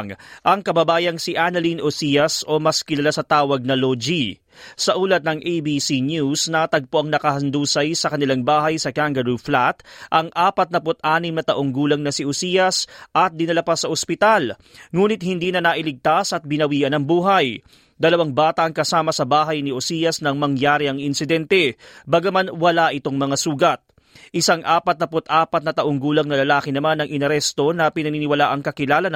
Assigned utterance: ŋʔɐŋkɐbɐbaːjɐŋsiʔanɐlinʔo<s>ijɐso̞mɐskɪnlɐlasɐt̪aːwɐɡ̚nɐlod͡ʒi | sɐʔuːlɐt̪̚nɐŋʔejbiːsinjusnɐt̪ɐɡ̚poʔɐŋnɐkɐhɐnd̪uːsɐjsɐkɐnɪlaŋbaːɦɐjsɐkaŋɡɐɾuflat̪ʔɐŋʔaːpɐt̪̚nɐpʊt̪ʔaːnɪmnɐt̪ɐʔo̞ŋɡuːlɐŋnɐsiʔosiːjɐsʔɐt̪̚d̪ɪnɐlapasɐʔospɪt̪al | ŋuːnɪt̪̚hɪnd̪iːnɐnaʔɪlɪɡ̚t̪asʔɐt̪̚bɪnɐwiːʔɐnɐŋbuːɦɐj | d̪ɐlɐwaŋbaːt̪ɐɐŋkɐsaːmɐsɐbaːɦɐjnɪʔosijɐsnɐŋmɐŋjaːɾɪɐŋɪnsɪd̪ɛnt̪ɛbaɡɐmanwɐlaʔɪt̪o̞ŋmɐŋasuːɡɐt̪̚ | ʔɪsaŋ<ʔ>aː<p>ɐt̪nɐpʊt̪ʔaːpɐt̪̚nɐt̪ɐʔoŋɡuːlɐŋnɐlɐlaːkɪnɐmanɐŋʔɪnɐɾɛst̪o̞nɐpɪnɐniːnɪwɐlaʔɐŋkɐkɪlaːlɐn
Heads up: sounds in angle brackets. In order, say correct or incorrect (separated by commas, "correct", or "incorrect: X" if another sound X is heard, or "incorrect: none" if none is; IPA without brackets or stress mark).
correct, correct, correct